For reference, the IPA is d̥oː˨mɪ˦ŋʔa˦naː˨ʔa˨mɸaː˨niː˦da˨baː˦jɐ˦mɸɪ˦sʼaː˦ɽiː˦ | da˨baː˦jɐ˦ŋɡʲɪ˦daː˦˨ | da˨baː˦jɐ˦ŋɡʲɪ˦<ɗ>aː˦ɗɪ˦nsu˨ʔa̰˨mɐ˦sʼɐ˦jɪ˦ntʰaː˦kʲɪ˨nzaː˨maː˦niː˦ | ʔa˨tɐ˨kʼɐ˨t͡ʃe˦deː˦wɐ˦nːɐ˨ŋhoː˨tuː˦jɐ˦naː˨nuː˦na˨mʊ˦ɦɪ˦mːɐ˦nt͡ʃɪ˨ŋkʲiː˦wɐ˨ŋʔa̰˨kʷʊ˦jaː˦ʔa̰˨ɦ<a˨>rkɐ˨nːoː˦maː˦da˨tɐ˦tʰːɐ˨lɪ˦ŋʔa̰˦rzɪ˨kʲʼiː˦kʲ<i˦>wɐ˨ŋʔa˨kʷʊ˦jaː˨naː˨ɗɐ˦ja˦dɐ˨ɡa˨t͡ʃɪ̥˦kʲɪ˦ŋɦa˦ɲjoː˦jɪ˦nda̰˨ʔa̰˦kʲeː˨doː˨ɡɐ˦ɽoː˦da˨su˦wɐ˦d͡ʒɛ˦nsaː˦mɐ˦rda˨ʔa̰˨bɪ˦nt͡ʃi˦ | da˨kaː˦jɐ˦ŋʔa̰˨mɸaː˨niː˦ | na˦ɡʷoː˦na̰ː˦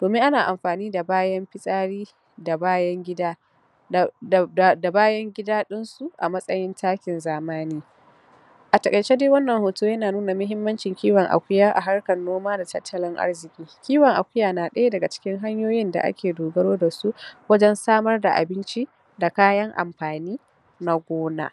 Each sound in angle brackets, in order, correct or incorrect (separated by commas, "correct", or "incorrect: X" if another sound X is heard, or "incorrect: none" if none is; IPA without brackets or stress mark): incorrect: d, incorrect: a˦, incorrect: iː˦